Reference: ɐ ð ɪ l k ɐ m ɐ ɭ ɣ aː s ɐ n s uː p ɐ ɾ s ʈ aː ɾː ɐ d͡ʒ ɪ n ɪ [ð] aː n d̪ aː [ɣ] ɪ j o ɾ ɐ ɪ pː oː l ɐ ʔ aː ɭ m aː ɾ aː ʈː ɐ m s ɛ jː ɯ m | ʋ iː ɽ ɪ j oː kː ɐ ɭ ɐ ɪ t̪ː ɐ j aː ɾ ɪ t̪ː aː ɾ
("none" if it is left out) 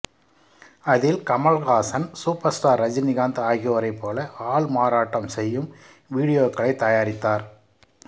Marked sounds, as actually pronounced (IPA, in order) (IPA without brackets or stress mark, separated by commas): ɣ, ɣ